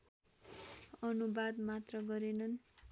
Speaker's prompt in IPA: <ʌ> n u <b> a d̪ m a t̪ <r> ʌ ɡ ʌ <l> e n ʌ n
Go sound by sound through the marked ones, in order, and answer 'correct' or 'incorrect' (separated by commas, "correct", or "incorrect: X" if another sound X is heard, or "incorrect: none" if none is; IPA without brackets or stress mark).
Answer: correct, correct, correct, incorrect: ɾ